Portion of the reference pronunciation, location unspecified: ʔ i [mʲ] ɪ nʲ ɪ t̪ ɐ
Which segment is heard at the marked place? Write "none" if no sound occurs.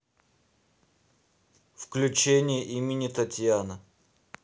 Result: mʲ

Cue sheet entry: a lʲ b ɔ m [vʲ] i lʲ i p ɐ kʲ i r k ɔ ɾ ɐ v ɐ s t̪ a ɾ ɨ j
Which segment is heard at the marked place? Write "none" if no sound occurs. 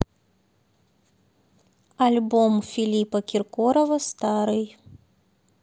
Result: fʲ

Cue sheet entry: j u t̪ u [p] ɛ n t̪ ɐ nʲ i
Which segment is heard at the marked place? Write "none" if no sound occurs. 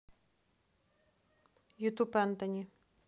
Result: p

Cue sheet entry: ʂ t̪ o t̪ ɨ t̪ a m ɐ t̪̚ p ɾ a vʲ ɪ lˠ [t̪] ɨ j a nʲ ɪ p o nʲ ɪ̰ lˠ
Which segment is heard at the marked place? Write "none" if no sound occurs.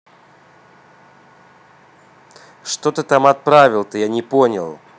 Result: t̪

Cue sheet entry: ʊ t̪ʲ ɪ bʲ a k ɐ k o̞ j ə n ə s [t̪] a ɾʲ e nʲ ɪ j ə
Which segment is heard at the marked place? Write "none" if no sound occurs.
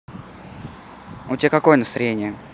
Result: t̪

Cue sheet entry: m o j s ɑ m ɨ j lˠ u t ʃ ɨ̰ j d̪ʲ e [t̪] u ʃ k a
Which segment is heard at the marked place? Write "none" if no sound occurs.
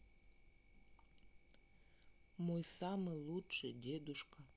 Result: d̪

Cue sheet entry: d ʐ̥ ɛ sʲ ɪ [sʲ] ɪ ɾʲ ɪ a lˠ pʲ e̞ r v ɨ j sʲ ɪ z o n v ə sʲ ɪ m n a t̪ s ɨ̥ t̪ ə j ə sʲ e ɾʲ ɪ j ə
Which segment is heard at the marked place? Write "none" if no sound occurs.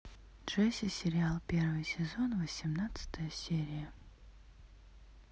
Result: sʲ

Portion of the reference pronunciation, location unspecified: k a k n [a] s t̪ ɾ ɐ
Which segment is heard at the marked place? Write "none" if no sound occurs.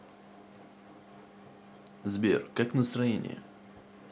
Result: ə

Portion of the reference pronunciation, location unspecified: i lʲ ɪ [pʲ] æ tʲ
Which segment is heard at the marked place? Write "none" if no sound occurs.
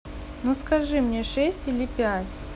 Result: pʲ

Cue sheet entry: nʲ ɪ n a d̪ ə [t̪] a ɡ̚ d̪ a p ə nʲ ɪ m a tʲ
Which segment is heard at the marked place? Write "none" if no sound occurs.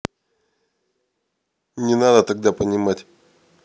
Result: t̪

